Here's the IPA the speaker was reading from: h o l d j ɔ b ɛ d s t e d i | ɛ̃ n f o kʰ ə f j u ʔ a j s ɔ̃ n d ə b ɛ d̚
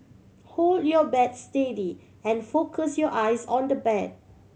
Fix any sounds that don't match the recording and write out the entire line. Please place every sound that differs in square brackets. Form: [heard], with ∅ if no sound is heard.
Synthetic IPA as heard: h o l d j ɔ b ɛ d s t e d i | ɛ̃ n f o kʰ ə [s] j [ɔ] ʔ a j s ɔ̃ n d ə b ɛ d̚